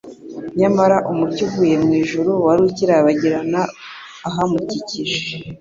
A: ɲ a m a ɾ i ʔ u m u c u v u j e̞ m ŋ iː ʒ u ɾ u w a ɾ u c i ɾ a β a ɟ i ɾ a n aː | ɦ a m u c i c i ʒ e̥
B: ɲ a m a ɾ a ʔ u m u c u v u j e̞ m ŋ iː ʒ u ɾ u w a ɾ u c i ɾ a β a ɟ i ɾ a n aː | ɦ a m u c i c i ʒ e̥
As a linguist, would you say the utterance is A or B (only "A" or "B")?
B